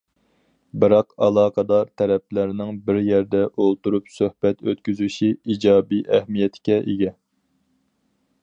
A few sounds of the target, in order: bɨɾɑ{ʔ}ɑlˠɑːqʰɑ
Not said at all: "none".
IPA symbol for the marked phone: q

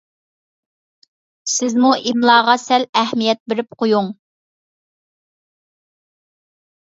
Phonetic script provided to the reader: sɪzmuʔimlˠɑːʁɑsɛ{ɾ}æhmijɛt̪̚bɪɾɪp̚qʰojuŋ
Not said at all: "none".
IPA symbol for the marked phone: l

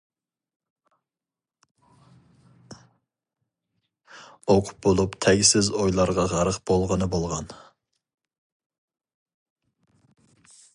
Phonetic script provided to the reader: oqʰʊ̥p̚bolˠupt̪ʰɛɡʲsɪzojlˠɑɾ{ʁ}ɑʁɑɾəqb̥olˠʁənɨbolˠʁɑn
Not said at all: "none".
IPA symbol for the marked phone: ʁ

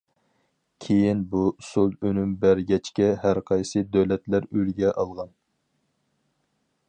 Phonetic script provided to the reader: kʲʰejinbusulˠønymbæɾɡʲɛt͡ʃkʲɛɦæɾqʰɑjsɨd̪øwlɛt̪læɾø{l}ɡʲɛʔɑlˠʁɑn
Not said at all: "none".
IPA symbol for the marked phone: l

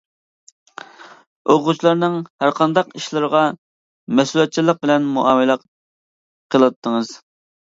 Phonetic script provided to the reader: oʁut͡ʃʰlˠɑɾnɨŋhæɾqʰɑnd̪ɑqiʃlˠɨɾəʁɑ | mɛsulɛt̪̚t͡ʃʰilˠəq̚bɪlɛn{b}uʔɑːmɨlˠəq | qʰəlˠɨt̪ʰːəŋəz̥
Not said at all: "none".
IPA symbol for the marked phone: m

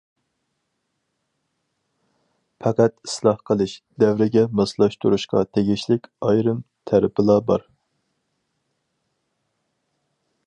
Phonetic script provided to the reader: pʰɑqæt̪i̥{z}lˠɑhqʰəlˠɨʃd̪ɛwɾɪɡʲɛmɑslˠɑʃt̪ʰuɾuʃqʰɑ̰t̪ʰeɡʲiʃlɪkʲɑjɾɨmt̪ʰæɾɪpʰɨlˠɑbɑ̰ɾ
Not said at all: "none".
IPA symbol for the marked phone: s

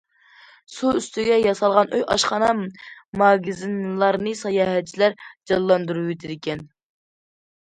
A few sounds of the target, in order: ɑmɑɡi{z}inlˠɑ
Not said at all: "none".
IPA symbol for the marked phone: z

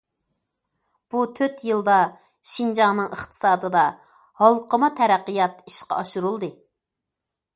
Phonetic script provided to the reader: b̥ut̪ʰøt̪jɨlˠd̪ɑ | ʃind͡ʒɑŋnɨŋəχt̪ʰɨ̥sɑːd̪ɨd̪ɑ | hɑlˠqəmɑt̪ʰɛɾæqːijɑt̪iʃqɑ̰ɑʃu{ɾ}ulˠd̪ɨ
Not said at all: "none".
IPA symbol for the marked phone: ɾ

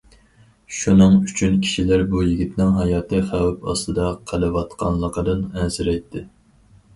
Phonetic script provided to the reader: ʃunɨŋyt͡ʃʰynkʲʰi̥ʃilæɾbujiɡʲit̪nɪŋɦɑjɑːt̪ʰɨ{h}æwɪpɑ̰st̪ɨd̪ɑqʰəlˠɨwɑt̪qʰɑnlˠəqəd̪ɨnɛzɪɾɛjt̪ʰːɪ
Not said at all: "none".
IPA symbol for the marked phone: χ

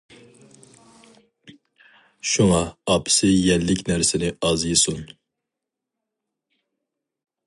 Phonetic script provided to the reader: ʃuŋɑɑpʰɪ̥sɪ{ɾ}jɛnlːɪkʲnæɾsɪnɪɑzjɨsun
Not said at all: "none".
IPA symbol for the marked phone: none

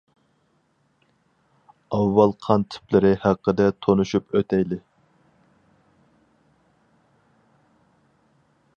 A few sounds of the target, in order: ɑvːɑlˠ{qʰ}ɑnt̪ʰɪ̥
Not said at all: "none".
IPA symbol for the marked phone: qʰ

